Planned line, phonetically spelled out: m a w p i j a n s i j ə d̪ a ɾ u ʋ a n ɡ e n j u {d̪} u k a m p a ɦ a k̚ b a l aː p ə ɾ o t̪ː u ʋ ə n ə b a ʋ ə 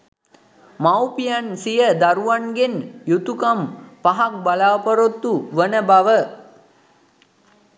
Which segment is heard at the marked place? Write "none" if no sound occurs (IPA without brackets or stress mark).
t̪